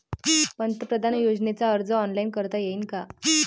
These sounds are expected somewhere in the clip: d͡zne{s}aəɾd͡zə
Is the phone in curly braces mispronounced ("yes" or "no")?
yes